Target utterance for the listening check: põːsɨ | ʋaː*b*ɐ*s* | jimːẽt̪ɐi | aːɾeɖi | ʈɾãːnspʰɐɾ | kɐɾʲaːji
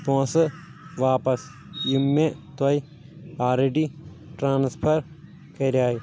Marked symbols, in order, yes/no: no, yes

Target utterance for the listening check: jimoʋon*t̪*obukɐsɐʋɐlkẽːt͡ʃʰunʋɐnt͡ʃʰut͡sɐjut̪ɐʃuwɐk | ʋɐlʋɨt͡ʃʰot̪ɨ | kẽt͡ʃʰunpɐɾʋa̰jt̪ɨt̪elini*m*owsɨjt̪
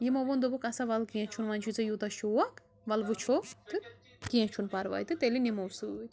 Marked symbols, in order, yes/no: no, yes

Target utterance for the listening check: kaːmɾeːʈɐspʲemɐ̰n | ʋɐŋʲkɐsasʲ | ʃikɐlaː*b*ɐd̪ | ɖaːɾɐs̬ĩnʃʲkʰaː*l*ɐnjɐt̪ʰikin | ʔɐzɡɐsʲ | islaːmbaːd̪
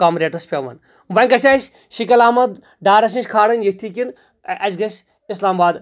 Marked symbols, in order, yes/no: no, no

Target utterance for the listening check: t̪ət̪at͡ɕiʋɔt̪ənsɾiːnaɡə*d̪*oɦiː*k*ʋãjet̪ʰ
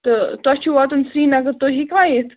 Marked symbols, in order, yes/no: no, yes

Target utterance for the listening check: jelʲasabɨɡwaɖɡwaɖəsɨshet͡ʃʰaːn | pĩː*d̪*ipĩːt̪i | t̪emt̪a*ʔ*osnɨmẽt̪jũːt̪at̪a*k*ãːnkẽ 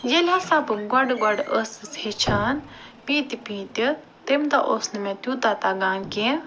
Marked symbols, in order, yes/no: no, yes, no

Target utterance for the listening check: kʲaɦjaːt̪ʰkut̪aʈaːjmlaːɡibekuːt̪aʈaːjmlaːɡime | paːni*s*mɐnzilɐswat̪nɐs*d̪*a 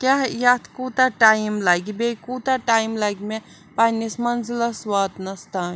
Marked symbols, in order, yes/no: yes, no

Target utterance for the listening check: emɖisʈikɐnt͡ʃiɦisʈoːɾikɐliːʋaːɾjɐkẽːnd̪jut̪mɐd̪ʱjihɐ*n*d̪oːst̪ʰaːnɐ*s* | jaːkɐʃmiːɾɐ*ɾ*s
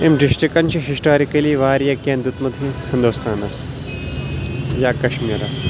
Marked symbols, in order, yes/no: yes, yes, no

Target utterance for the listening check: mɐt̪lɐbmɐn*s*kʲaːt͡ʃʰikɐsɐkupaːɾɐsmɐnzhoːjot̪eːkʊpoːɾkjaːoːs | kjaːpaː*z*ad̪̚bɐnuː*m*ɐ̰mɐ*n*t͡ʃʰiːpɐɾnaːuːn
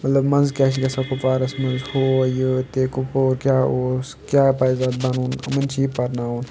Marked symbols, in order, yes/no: no, yes, no, yes

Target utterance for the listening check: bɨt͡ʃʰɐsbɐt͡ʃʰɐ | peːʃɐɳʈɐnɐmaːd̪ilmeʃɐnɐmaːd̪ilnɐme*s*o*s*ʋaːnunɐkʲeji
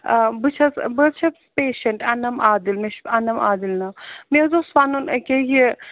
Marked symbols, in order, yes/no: no, yes

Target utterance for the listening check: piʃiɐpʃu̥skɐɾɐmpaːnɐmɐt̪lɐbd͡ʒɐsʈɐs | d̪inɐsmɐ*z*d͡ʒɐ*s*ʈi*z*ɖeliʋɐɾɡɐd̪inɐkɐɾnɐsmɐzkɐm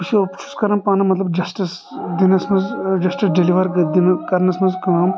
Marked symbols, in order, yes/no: yes, yes, no

